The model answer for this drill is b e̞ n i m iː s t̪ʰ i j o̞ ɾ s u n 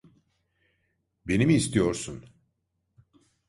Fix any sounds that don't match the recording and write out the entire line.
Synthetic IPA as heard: b e̞ n i m iː s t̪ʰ i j o̞ ɾ s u n